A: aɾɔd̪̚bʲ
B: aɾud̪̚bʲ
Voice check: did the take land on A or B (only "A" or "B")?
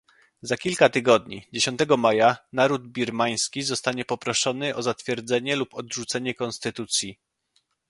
B